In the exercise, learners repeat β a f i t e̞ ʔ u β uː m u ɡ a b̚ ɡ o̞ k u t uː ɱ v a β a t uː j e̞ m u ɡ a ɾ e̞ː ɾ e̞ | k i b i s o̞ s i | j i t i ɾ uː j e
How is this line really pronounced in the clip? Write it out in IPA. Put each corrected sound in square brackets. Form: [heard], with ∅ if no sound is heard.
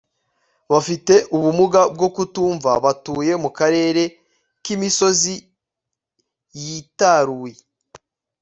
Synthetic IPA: β a f i t e̞ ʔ u β [u] m u ɡ a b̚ ɡ o̞ k u t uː ɱ v a β a t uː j e̞ m u [k] a ɾ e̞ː ɾ e̞ | k i [m] i s o̞ [z] i | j i t [a] ɾ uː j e